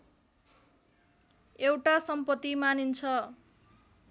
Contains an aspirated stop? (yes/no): yes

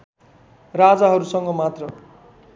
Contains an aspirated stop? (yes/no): no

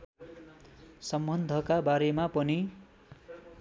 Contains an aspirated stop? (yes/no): no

